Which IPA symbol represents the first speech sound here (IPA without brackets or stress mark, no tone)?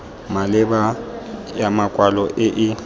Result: m